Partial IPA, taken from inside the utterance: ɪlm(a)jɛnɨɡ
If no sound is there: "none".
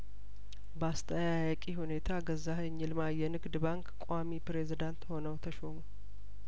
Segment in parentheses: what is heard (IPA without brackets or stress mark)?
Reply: a